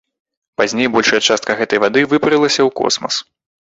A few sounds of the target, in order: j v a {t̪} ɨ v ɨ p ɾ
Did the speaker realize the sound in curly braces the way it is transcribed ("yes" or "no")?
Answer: no